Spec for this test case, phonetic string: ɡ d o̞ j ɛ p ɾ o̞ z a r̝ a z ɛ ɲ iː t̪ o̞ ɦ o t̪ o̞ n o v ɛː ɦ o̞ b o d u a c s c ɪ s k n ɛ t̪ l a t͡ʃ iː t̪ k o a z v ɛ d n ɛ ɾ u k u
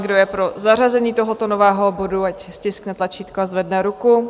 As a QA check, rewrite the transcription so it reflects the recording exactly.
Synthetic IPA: ɡ d o̞ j ɛ p ɾ o̞ z a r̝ a z ɛ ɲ iː t̪ o̞ ɦ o t̪ o̞ n o v ɛː ɦ o̞ b o d u a c s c ɪ s k n ɛ t̪ l a t͡ʃ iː t̪ k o a z v ɛ d n ɛ ɾ u k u